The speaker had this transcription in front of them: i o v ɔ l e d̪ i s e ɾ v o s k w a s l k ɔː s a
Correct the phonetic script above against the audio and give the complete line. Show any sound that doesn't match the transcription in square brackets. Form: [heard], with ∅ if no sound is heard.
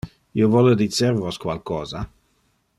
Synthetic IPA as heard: i o v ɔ l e d̪ i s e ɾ v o s k w a [∅] l k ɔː [z] a